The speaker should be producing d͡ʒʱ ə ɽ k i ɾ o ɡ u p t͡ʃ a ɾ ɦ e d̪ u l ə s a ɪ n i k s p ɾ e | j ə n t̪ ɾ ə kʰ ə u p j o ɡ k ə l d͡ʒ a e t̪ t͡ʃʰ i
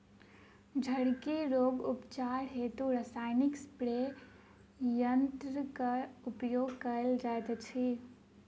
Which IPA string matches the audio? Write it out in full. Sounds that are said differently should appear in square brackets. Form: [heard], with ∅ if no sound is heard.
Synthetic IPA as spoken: d͡ʒʱ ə ɽ k i ɾ o ɡ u p t͡ʃ a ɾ ɦ e [t̪] u [ɾ] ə s a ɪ n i k s p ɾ e | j ə n t̪ ɾ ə [k] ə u p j o ɡ k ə l d͡ʒ a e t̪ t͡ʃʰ i